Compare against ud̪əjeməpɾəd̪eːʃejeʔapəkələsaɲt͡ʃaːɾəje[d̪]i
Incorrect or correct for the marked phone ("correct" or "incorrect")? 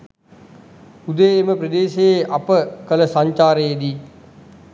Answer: correct